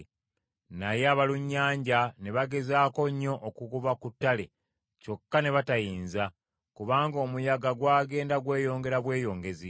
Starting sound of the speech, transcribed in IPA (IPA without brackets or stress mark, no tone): n